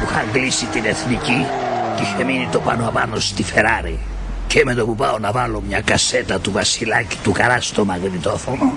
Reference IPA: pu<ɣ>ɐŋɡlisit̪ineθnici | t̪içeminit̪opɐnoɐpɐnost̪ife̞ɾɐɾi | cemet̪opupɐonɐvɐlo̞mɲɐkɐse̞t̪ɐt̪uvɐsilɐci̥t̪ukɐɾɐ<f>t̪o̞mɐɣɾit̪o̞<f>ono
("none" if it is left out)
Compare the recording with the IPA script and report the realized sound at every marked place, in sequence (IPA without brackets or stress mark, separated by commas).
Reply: x, s, f